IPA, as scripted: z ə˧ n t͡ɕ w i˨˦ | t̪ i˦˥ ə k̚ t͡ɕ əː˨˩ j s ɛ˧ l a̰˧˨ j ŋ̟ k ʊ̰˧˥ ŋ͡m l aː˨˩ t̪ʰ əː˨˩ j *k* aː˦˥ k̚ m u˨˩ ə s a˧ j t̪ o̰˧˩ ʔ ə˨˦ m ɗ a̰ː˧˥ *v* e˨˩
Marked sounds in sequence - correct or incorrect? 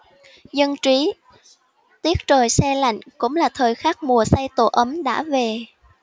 incorrect, correct

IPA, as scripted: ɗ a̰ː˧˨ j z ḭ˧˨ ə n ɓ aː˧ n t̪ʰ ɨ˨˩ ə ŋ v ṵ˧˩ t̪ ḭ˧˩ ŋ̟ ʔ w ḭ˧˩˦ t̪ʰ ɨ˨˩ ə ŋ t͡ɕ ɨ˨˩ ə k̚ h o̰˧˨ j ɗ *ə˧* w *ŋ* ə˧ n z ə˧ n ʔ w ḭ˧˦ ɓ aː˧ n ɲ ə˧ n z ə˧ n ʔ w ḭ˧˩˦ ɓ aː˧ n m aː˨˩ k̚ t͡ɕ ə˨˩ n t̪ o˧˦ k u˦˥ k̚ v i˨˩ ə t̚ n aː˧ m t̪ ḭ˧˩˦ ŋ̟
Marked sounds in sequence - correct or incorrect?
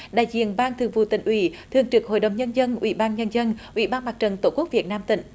incorrect, incorrect

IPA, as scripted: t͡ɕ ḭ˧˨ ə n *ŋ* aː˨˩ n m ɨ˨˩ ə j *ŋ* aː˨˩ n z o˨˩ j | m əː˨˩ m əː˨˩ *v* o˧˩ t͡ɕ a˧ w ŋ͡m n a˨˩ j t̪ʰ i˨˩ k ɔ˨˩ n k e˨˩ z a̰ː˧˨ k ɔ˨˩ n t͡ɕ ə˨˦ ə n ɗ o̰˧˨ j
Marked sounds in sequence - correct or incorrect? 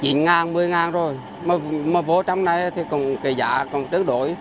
correct, correct, correct

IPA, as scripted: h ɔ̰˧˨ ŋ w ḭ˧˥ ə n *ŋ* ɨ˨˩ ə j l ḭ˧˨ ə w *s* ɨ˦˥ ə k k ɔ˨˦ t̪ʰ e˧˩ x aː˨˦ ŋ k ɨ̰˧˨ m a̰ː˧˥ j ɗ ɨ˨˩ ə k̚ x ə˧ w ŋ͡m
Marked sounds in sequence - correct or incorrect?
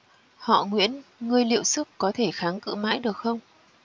correct, correct

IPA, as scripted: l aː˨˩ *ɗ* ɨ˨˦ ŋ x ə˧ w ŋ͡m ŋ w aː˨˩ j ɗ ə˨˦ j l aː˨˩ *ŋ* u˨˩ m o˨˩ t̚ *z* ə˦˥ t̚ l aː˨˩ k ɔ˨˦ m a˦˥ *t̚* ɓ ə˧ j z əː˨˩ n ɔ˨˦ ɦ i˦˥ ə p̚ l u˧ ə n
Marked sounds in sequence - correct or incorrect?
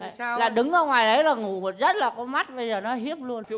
correct, correct, correct, correct

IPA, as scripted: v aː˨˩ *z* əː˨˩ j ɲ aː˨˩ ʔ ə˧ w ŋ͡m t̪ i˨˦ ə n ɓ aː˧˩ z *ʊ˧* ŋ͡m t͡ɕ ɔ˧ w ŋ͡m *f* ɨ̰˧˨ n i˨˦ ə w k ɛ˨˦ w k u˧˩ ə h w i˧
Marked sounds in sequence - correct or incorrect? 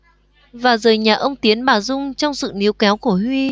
correct, correct, incorrect

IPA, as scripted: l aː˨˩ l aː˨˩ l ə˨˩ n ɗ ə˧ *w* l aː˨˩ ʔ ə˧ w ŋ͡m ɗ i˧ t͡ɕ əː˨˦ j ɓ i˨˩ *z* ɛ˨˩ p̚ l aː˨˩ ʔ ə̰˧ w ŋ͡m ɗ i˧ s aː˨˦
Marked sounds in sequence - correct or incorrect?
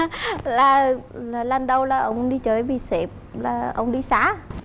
correct, incorrect

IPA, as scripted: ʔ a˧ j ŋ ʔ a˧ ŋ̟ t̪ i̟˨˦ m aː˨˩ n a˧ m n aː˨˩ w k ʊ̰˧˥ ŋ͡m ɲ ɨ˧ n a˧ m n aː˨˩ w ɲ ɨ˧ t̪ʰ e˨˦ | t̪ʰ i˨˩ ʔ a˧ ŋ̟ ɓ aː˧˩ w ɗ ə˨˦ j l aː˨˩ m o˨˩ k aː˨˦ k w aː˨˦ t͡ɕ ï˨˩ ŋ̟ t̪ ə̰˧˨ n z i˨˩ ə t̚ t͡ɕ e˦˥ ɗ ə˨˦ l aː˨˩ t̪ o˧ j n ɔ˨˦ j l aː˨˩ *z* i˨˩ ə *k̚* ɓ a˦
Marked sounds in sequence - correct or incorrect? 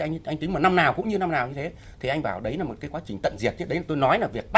incorrect, correct

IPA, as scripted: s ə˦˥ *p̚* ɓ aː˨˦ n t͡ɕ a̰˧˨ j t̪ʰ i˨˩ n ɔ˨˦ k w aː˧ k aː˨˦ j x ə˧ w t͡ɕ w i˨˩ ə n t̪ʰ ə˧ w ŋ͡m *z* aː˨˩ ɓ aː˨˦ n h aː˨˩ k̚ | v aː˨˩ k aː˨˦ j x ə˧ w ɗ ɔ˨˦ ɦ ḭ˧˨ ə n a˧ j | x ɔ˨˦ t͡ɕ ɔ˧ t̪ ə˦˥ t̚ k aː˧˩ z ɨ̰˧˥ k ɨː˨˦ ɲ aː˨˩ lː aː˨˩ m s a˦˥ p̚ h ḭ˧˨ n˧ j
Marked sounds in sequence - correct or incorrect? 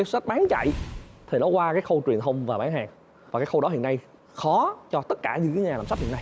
incorrect, incorrect

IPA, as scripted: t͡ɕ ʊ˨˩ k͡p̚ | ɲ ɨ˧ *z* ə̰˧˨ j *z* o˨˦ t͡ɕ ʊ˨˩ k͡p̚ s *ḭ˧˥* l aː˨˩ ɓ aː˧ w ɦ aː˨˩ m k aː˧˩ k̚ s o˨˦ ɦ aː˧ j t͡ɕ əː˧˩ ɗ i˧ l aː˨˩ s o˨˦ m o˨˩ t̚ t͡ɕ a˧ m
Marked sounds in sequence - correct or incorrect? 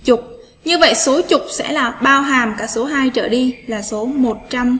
incorrect, incorrect, incorrect

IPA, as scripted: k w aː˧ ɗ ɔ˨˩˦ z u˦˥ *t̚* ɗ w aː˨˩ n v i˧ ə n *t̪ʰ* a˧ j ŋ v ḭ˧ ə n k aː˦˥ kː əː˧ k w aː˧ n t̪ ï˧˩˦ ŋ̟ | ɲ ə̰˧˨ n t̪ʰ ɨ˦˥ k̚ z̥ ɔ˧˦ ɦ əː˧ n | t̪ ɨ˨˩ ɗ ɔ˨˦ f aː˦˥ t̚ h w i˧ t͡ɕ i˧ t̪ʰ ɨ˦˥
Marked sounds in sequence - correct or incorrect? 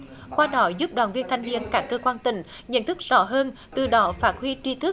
incorrect, correct

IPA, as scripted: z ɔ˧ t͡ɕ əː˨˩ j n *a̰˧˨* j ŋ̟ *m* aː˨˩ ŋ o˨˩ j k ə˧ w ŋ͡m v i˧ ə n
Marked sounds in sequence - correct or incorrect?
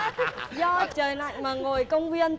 correct, correct

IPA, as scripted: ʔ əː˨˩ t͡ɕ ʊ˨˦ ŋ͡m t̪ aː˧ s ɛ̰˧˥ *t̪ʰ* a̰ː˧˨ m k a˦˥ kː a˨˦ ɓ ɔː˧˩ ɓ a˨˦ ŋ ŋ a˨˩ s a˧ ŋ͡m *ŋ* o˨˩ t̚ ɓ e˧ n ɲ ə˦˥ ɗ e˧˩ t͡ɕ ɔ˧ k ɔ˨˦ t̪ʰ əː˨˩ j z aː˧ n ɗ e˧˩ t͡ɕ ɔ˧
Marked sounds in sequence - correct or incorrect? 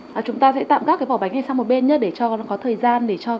incorrect, incorrect

